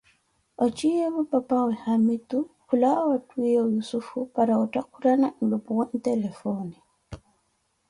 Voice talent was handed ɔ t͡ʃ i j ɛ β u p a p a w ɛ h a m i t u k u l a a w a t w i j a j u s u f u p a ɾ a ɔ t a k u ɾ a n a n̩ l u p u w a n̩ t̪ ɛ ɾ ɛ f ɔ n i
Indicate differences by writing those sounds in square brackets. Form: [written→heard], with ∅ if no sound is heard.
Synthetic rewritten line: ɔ t͡ʃ i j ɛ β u p a p a w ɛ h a m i t u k u l a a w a t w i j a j u s u f u p a ɾ a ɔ t a k u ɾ a n a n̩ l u p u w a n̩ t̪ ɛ [ɾ→l] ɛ f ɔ n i